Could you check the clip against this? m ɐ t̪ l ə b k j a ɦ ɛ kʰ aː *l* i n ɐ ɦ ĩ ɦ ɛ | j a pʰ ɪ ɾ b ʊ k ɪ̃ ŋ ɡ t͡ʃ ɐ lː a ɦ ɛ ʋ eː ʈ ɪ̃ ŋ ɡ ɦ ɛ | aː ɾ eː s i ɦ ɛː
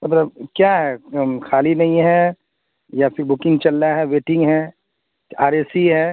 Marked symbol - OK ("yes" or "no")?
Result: yes